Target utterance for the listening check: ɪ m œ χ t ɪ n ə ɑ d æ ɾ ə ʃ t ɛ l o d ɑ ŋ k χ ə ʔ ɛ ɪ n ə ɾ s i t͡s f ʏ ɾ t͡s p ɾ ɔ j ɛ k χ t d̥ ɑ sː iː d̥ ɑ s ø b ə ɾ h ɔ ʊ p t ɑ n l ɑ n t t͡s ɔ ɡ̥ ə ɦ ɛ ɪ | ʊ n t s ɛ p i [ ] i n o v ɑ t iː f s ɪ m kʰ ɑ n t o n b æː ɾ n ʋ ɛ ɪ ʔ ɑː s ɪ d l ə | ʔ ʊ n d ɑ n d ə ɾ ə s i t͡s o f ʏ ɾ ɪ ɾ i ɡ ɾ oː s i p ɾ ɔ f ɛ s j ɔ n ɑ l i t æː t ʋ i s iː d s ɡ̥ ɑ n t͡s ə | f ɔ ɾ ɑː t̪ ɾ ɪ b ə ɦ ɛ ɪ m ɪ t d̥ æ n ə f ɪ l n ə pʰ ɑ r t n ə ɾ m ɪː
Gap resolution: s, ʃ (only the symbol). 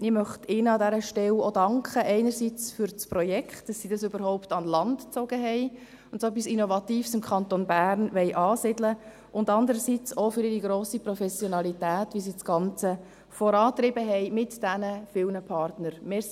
s